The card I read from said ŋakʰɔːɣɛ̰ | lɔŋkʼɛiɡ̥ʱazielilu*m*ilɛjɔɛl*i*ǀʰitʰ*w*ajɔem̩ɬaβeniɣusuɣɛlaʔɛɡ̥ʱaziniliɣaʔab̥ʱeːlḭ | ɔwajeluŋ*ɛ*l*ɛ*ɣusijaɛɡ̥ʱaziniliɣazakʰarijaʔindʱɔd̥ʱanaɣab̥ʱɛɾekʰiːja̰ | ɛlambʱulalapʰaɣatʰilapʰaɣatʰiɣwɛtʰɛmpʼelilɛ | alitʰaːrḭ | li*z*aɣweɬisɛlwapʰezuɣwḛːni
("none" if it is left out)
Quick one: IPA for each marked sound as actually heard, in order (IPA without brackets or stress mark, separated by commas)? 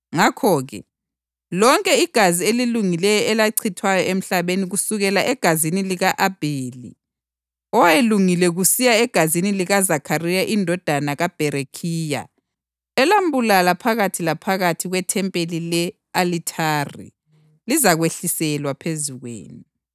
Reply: ŋ, a, w, i, ɛ, z